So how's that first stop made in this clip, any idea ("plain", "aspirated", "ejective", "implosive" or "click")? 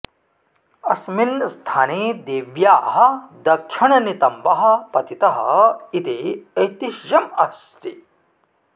aspirated